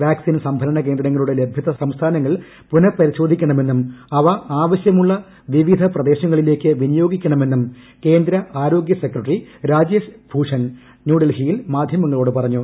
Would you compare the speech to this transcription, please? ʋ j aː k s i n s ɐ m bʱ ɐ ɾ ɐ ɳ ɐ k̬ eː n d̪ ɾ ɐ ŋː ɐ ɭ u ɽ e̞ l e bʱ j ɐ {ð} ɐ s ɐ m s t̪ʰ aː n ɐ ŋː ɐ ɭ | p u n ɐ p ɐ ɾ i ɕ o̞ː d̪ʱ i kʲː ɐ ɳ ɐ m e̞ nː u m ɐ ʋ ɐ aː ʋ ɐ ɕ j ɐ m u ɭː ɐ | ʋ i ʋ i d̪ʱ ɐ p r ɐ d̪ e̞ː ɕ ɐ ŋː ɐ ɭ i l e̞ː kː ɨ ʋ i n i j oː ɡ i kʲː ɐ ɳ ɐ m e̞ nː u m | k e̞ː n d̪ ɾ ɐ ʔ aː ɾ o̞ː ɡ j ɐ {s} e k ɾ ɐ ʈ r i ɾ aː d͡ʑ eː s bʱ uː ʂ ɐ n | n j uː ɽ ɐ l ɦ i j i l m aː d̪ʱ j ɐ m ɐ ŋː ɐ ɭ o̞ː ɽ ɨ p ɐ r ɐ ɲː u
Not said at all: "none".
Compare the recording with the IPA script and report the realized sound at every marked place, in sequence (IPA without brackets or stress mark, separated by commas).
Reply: ð, s